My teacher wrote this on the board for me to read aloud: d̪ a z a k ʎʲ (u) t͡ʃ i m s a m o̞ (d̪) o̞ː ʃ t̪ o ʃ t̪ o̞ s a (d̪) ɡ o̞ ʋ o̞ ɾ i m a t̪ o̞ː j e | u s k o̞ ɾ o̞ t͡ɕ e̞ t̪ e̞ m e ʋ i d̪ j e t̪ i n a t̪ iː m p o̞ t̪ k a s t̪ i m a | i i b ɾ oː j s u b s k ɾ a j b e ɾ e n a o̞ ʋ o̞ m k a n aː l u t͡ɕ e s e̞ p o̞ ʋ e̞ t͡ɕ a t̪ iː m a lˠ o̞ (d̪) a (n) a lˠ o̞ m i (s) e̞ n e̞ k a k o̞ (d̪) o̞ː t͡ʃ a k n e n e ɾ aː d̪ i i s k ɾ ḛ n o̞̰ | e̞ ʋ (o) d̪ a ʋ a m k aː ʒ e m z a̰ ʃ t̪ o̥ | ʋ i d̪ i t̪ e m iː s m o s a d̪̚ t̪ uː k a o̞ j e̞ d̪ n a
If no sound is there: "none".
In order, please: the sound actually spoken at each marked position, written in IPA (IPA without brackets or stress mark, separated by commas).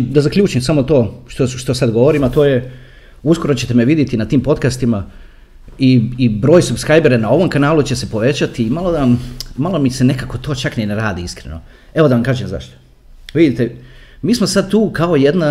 uː, t̪, d̪, d̪, m, s, t̪, o